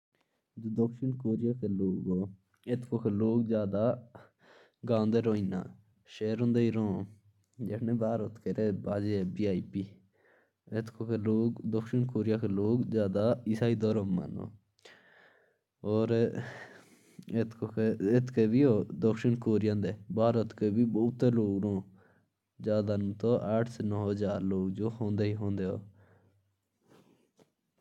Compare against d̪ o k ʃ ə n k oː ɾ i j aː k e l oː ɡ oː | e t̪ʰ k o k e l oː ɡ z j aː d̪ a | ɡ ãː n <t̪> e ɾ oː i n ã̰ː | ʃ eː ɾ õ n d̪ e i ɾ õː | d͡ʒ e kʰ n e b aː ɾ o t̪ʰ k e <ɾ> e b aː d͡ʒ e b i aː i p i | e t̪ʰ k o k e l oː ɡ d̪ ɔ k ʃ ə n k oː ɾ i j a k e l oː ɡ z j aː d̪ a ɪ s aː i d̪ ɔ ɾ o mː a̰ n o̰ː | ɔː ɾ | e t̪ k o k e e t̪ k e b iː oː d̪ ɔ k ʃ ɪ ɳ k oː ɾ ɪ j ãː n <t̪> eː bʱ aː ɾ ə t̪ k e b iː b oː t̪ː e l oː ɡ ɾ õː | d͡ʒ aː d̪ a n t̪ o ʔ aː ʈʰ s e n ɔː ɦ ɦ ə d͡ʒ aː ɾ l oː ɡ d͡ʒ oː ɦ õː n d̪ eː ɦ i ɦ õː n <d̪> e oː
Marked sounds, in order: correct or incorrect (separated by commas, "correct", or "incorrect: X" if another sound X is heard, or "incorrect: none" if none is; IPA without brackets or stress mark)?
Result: incorrect: d̪, correct, incorrect: d̪, correct